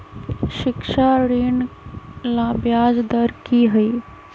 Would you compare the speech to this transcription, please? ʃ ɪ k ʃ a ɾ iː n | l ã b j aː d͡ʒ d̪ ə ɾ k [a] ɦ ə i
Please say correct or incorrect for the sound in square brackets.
incorrect